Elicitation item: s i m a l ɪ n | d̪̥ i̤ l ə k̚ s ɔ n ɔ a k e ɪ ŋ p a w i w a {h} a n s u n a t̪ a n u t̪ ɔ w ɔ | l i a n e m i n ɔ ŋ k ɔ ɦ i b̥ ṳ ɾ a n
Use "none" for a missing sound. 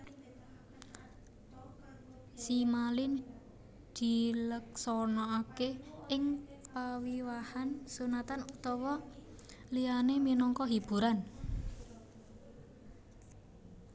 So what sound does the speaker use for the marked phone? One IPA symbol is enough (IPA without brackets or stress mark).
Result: h